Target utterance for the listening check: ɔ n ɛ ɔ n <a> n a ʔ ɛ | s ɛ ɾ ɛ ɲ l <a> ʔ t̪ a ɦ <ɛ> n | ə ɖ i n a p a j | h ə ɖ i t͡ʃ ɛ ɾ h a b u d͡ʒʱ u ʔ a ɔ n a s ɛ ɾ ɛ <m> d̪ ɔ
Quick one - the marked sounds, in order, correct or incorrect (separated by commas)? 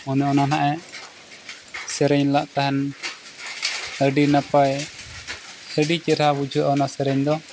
correct, correct, correct, incorrect